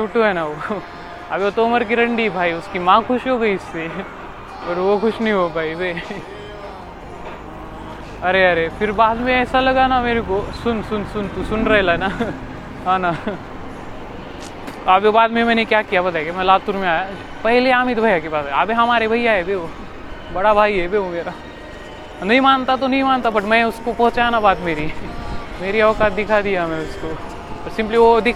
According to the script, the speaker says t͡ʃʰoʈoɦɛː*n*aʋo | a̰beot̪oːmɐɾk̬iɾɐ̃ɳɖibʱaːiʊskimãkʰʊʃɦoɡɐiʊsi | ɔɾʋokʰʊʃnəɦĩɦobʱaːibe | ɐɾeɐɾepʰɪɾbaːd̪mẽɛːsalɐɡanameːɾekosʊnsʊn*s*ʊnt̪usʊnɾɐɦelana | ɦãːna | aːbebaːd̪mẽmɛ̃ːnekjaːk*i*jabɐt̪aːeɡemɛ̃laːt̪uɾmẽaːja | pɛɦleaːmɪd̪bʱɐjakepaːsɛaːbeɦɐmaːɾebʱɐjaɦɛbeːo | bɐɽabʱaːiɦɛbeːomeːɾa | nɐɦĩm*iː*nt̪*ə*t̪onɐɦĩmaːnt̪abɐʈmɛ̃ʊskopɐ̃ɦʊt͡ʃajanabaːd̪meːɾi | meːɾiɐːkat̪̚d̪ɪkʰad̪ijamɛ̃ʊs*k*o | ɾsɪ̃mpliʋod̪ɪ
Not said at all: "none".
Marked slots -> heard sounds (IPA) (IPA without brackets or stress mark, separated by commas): n, s, i, aː, a, k